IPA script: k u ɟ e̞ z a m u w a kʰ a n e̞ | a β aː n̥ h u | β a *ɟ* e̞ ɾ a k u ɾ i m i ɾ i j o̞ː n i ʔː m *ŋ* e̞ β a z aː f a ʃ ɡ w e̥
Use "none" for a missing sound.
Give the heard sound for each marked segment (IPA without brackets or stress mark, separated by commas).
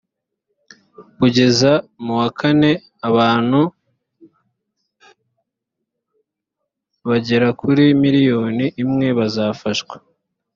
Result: ɟ, ŋ